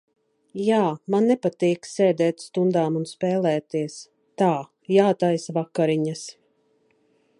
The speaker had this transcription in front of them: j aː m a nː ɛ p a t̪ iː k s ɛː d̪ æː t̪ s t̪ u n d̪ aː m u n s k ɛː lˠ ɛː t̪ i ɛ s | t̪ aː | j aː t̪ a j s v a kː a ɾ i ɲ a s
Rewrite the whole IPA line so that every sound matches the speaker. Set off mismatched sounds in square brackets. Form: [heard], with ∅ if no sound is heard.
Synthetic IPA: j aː m a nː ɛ p a t̪ iː k s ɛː d̪ [ɛː] t̪ s t̪ u n d̪ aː m u n s [p] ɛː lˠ ɛː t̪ i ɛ s | t̪ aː | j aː t̪ a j s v a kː a ɾ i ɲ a s